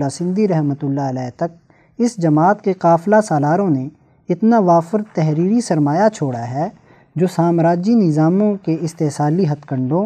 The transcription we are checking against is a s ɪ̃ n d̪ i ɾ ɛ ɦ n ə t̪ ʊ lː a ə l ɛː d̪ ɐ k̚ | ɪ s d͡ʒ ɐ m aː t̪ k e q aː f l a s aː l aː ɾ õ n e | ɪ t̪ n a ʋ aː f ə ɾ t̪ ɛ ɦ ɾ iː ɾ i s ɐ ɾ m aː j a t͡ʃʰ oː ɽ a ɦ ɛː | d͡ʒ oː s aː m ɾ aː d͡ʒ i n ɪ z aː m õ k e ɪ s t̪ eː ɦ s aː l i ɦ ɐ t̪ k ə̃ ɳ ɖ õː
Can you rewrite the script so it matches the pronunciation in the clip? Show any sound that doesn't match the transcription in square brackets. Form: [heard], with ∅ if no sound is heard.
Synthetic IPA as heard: a s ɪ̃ n d̪ i ɾ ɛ ɦ [m] ə t̪ ʊ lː a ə l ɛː [t̪] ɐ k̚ | ɪ s d͡ʒ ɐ m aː t̪ k e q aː f l a s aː l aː ɾ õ n e | ɪ t̪ n a ʋ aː f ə ɾ t̪ ɛ ɦ ɾ iː ɾ i s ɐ ɾ m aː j a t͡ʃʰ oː ɽ a ɦ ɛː | d͡ʒ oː s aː m ɾ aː d͡ʒ i n ɪ z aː m õ k e ɪ s t̪ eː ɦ s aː l i ɦ ɐ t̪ k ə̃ ɳ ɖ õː